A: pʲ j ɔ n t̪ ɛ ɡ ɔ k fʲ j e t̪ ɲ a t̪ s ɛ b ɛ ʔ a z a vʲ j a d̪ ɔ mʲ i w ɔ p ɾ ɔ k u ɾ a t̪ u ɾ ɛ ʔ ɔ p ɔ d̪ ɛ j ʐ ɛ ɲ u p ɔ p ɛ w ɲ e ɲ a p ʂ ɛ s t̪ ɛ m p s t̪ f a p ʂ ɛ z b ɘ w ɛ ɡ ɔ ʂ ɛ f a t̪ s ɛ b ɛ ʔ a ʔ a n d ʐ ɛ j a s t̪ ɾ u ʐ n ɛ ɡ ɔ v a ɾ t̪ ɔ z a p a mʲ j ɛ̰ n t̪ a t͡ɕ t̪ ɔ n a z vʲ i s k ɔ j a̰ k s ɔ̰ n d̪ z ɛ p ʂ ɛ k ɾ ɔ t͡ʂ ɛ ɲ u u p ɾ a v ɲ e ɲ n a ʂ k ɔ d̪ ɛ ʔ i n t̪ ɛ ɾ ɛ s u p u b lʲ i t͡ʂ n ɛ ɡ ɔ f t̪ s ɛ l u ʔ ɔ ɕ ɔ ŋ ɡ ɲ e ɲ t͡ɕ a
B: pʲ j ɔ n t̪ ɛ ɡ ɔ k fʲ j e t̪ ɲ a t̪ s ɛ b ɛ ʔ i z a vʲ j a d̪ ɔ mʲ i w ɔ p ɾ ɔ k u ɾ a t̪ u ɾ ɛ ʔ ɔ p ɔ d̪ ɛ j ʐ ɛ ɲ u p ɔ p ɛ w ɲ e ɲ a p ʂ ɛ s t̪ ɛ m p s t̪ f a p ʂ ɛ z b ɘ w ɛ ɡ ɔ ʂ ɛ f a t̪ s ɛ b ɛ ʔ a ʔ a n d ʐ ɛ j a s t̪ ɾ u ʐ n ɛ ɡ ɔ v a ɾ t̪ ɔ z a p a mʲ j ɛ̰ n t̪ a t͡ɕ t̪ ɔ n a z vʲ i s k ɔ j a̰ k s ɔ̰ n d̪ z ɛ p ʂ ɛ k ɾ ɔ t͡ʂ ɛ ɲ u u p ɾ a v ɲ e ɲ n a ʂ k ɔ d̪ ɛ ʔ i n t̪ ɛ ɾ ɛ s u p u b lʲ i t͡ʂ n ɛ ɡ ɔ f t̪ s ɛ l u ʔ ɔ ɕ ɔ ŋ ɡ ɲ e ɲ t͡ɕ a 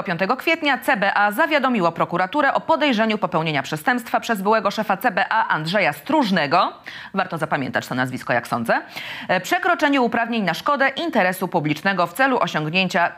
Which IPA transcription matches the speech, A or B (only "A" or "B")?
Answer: A